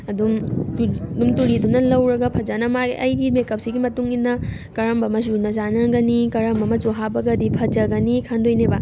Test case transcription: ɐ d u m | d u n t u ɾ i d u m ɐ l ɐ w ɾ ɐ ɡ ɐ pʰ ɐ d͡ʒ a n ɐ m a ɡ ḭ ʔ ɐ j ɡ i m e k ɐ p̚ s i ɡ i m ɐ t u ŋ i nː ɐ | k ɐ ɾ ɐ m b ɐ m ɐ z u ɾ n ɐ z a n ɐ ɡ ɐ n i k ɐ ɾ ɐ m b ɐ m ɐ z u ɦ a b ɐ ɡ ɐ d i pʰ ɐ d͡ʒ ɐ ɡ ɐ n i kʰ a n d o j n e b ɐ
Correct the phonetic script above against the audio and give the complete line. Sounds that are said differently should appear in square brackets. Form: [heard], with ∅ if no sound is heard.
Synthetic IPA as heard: ɐ d u m | d u [m] t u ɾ i d u [n] ɐ l ɐ w ɾ ɐ ɡ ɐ pʰ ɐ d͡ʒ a n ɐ m a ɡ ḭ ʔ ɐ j ɡ i m e k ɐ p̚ s i ɡ i m ɐ t u ŋ i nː ɐ | k ɐ ɾ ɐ m b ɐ m ɐ z u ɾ n ɐ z a n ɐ ɡ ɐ n i k ɐ ɾ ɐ m b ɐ m ɐ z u ɦ a b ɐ ɡ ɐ d i pʰ ɐ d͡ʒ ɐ ɡ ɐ n i kʰ a n d o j n e b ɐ